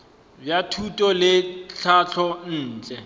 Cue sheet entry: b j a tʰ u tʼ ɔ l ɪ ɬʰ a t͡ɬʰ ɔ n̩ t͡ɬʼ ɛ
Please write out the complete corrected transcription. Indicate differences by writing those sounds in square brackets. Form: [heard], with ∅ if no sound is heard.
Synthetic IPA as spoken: b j a tʰ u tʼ ɔ l ɪ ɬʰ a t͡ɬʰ ɔ [n̩ː] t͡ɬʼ ɛ